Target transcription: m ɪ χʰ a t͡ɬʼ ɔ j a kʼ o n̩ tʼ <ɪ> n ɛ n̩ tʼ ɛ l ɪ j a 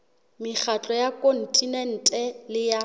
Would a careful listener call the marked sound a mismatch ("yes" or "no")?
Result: yes